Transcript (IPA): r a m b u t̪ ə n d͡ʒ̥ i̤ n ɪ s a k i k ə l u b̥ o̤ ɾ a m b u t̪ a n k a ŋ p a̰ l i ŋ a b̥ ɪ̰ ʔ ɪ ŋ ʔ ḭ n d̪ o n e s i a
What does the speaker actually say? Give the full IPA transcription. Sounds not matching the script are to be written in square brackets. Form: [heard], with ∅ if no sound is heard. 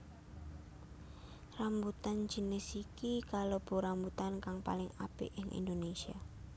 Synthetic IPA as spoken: r a m b u t̪ [a] n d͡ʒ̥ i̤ n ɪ s [i] k i k [a] l [o] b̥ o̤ ɾ a m b u t̪ a n k a ŋ p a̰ l [ɪ] ŋ a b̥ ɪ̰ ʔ ɪ ŋ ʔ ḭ n d̪ o n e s i a

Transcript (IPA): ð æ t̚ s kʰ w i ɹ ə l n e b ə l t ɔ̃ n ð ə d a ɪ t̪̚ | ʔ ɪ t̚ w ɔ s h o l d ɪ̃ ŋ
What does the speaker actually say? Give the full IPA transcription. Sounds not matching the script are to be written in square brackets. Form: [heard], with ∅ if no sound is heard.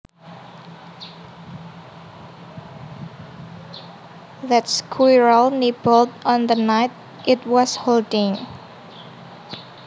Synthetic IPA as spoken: ð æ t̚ s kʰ w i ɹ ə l n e b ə l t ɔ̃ n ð ə [n] a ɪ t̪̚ | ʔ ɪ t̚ w ɔ s h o l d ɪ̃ ŋ

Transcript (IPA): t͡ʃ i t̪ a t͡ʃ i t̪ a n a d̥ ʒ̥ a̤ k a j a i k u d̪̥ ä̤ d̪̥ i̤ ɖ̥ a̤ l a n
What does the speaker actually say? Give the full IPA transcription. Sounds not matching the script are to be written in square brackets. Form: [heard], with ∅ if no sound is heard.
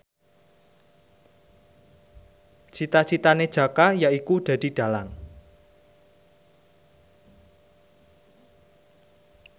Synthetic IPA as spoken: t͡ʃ i t̪ a t͡ʃ i t̪ a n [e] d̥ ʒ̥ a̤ k a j a i k u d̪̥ ä̤ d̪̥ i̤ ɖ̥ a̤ l a [ŋ]

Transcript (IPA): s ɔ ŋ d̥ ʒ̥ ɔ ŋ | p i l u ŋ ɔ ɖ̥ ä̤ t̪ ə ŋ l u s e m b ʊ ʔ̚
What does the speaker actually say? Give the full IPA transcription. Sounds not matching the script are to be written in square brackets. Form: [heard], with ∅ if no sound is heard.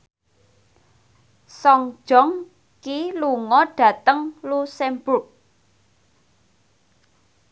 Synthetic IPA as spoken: s ɔ ŋ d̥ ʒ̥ ɔ ŋ | [k] i l u ŋ ɔ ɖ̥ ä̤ t̪ ə ŋ l u s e m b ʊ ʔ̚

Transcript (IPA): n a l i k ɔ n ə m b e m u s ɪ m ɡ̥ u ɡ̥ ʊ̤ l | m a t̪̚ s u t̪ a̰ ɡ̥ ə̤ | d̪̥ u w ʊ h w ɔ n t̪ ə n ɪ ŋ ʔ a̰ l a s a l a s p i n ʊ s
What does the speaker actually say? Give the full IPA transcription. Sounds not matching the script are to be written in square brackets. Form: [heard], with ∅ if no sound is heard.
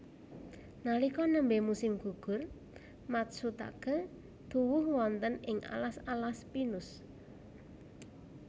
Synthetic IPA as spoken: n a l i k ɔ n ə m b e m u s ɪ m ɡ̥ u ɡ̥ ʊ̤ [r] | m a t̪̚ s u t̪ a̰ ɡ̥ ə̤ | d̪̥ u w ʊ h w ɔ n t̪ ə n ɪ ŋ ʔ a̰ l a s a l a s p i n ʊ s

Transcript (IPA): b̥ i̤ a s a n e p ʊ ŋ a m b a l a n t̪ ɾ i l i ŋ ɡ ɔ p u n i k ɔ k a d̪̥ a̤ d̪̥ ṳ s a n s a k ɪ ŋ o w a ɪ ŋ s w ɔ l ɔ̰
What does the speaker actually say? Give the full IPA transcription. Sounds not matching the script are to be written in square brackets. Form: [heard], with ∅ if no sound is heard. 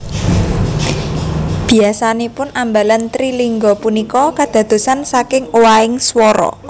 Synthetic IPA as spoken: b̥ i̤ a s a n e p ʊ [n] a m b a l a n t̪ ɾ i l i ŋ ɡ ɔ p u n i k ɔ k a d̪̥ a̤ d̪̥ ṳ s a n s a k ɪ ŋ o w a ɪ ŋ s w ɔ [ɾ] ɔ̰

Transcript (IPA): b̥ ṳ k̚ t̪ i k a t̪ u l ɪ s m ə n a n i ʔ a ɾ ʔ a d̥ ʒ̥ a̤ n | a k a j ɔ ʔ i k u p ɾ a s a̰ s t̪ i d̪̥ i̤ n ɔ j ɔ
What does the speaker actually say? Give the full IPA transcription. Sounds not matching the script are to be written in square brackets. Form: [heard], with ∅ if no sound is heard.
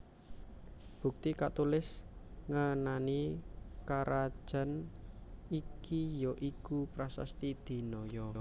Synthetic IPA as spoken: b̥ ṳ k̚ t̪ i k a t̪ u l ɪ s [ŋ] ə n a n i [k] a ɾ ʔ a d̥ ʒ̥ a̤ n | [i] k [i] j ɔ ʔ i k u p ɾ a s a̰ s t̪ i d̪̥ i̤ n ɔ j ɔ

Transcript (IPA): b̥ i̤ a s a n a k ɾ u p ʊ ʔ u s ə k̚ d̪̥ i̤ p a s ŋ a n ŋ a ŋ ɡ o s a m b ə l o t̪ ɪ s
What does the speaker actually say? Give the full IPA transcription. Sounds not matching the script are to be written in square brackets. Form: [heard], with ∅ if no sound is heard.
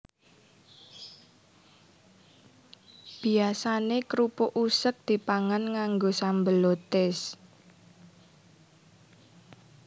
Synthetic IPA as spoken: b̥ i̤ a s a n [e] k ɾ u p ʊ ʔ u s ə k̚ d̪̥ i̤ p a [∅] ŋ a n ŋ a ŋ ɡ o s a m b ə l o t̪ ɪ s

